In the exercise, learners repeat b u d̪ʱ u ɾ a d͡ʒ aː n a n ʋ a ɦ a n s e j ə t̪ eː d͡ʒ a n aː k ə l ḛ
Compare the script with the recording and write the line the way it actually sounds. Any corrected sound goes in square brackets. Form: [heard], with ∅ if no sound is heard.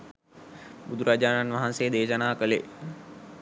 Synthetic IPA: b u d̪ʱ u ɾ a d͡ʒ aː n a n ʋ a ɦ a n s e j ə [d̪] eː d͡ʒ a n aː k ə l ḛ